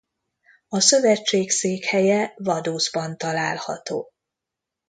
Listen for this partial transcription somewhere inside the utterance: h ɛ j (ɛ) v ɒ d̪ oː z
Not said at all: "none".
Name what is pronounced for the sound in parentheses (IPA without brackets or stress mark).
ɛ